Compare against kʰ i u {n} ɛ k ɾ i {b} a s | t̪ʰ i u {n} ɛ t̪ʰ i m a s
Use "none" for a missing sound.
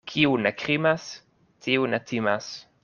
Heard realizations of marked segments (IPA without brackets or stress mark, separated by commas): n, m, n